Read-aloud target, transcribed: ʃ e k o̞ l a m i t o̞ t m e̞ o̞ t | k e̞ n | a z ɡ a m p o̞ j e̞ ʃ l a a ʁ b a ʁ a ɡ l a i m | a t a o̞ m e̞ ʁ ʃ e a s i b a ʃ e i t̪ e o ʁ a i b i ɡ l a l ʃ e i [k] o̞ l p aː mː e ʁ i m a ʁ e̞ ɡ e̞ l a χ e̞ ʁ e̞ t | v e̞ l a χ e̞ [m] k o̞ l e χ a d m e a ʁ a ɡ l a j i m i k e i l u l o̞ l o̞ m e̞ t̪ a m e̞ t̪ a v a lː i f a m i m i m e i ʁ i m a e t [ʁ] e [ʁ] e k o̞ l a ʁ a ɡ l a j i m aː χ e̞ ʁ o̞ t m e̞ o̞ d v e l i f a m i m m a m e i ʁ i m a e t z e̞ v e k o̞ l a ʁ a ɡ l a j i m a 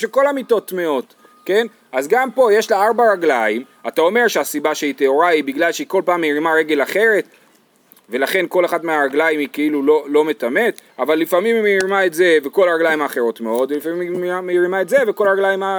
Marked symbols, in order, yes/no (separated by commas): yes, no, no, no